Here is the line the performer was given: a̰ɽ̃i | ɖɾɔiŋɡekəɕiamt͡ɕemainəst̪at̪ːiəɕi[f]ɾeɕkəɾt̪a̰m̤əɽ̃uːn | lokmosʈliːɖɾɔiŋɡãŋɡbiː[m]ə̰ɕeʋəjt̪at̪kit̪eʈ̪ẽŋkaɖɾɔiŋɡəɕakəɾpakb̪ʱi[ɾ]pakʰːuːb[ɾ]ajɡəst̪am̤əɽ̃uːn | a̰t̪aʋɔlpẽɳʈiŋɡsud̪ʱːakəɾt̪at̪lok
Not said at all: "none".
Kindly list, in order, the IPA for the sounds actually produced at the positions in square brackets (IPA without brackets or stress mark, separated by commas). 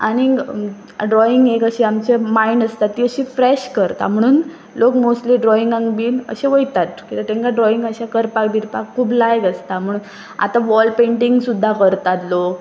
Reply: f, n, ɾ, l